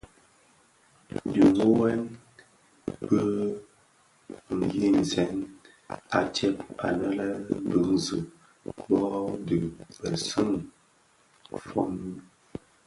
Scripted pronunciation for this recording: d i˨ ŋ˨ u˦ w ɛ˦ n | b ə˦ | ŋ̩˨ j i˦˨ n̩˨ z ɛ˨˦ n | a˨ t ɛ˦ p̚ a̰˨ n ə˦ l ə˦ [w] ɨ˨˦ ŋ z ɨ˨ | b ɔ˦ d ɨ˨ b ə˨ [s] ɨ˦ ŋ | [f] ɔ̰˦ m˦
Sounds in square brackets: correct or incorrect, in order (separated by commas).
incorrect, correct, correct